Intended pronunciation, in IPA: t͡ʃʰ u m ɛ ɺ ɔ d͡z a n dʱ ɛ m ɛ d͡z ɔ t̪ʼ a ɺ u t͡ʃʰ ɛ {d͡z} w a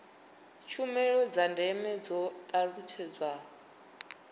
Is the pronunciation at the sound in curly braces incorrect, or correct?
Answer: correct